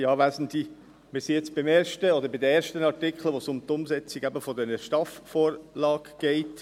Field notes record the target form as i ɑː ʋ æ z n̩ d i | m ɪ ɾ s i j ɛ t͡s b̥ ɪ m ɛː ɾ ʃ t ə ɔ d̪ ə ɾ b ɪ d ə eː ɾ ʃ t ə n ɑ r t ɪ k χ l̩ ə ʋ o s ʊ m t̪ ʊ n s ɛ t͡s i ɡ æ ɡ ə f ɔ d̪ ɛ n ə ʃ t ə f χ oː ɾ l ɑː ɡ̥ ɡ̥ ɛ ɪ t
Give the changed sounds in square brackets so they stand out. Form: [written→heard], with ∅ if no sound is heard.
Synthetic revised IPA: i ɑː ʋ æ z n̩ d i | m ɪ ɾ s i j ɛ t͡s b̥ ɪ m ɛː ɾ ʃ t ə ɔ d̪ ə ɾ b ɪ d ə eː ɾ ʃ t ə n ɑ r t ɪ k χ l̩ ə ʋ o s ʊ m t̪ ʊ [n→m] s ɛ t͡s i ɡ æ [ɡ→b] ə f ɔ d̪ ɛ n ə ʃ t [ə→ɑ] f [χ→f] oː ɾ l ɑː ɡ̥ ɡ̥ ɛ ɪ t

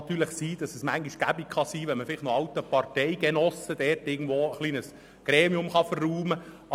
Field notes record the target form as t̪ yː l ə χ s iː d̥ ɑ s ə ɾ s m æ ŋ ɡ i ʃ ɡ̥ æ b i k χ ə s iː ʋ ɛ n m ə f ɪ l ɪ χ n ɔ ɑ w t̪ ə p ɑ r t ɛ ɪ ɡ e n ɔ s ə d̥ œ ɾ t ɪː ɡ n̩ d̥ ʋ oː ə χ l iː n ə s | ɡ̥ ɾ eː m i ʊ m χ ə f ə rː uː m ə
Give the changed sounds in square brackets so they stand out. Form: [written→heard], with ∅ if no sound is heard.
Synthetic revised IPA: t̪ yː l ə χ s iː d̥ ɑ s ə [ɾ→∅] s m æ ŋ ɡ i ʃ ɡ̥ æ b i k χ [ə→ɑ] s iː ʋ ɛ n m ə f ɪ l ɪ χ n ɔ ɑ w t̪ ə p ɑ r t ɛ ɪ ɡ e n ɔ s ə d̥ [œ→ɛ] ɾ t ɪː ɡ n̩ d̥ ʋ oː ə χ l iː n ə s | ɡ̥ ɾ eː m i ʊ m χ [ə→ɑ] f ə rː uː m ə

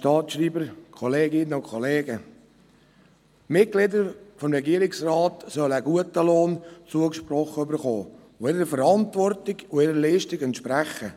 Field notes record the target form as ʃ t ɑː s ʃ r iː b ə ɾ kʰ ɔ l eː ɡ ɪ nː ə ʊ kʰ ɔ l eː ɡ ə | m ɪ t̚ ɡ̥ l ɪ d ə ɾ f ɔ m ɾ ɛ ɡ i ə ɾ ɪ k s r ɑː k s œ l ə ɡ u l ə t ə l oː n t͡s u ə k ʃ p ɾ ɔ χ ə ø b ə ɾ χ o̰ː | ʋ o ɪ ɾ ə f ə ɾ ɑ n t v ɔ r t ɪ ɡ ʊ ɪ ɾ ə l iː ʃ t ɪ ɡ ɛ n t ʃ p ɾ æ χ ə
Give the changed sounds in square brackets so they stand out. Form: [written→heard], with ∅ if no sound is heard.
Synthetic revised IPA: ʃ t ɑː [s→t] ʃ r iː b ə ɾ kʰ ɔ l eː ɡ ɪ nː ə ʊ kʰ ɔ l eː ɡ ə | m ɪ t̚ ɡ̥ l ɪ d ə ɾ f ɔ m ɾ ɛ ɡ i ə ɾ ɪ k s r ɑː [k→t] s œ l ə ɡ u [l→∅] ə t ə l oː n t͡s u ə k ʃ p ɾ ɔ χ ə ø b ə ɾ χ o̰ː | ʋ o ɪ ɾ ə f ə ɾ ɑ n t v ɔ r t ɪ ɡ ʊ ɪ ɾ ə l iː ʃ t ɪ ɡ ɛ n t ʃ p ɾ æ χ ə

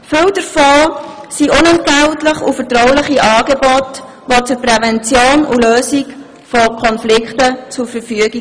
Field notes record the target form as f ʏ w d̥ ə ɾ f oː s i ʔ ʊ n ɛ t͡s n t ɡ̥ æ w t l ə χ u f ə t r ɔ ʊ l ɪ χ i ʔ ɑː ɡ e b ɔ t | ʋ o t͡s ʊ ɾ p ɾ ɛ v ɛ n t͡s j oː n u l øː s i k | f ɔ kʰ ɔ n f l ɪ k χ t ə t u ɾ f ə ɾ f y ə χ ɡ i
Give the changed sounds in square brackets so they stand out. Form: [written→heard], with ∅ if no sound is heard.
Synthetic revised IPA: f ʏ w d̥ ə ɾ f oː s i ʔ ʊ n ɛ [t͡s→∅] n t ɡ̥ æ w t l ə χ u f ə t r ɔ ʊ l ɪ χ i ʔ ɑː ɡ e b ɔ t | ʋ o t͡s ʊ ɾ p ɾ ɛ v ɛ n t͡s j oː n u l øː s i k | f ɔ kʰ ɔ n f l ɪ k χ t ə [t→t͡s] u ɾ f ə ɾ f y ə [χ→∅] ɡ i

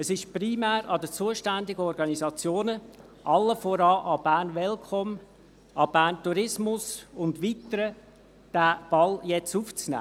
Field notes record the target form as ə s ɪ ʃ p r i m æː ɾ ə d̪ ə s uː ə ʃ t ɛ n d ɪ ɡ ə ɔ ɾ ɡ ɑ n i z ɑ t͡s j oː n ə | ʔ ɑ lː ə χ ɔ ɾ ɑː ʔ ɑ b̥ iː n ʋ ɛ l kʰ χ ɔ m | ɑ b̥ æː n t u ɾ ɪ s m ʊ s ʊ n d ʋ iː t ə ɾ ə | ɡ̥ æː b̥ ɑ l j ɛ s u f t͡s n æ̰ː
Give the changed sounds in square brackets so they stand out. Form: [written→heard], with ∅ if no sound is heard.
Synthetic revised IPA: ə s ɪ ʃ p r i m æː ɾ [ə→ɑ] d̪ ə [s→t͡s] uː ə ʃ t [ɛ→æ] n d ɪ ɡ ə ɔ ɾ ɡ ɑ n i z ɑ t͡s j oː n ə | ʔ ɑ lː ə [χ→f] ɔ ɾ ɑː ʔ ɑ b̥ [iː→æː] n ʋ ɛ l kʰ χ ɔ m | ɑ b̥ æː n t u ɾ ɪ s m ʊ s ʊ n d ʋ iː t ə ɾ ə | [ɡ̥→d̥] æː b̥ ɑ l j ɛ [s→t͡s] u f t͡s n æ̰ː

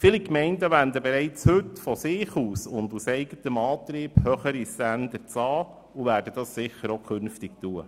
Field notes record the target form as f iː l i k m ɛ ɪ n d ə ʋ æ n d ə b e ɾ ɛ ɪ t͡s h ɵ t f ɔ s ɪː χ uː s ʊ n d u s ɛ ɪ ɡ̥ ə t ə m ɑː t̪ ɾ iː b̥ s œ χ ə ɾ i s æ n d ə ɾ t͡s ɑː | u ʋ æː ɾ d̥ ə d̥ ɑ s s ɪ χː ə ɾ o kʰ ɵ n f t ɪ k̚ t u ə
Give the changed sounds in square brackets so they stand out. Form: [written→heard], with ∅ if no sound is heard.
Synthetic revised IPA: f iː l i k m ɛ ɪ n d ə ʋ æ n d ə b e ɾ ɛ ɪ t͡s h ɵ t f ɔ s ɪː χ uː s ʊ n d u s ɛ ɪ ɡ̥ ə t ə m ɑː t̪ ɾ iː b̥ [s→h] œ χ ə ɾ i s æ n d ə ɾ t͡s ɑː | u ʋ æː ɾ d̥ ə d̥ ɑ s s ɪ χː ə ɾ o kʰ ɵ n f t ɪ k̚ t u ə

